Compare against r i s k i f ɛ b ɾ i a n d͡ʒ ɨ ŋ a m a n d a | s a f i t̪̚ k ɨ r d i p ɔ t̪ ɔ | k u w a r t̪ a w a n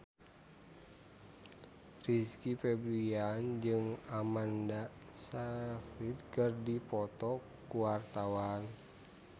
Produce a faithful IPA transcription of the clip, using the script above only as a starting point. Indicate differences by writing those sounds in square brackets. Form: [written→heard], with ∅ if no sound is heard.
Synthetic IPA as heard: r i s k i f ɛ b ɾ i a n d͡ʒ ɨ ŋ a m a n d a | s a f i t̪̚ k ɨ r d i p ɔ t̪ ɔ | k u w a r t̪ a w a n